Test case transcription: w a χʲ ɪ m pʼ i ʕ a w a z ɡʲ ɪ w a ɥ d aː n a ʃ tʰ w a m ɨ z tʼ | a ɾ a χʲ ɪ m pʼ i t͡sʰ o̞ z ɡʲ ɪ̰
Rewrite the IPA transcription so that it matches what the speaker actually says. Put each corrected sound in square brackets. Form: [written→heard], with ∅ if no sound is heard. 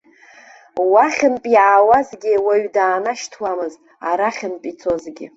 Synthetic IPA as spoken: w a χʲ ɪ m pʼ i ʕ a w a z ɡʲ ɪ w a ɥ d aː n a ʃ tʰ w a m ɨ z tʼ | a ɾ a χʲ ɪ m pʼ i t͡sʰ o̞ z ɡʲ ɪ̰